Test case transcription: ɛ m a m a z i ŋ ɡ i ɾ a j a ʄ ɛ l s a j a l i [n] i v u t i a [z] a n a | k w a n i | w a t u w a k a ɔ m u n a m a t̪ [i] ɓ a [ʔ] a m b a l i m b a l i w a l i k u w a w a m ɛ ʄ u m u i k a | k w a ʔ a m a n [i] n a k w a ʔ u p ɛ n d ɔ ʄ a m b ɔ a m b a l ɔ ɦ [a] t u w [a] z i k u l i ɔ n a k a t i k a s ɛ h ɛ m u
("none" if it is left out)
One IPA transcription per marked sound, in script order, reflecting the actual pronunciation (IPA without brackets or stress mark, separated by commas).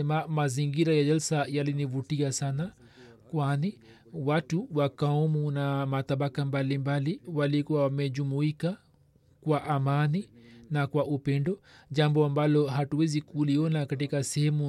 n, s, a, k, i, a, ɛ